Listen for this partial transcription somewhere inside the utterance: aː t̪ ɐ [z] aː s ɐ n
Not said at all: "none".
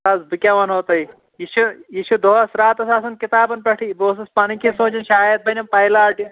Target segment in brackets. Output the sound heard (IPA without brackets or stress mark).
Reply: s